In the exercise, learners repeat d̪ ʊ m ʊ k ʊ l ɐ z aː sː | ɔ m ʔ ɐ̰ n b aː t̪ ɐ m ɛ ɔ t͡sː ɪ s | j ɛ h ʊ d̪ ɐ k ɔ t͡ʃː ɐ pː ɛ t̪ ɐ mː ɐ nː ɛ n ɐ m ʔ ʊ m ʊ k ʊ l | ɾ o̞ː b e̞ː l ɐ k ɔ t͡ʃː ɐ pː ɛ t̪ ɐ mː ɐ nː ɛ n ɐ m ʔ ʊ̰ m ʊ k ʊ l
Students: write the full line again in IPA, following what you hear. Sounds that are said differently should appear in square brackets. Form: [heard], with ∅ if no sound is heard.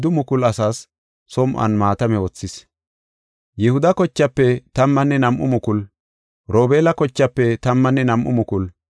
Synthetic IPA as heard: d̪ ʊ m ʊ k ʊ l ɐ [s] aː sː | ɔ m ʔ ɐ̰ n [m] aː t̪ ɐ m ɛ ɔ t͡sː ɪ s | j ɛ h ʊ d̪ ɐ k ɔ t͡ʃː ɐ pː ɛ t̪ ɐ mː ɐ nː ɛ n ɐ m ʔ ʊ m ʊ k ʊ l | ɾ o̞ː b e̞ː l ɐ k ɔ t͡ʃː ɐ pː ɛ t̪ ɐ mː ɐ nː ɛ n ɐ m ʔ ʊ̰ m ʊ k ʊ l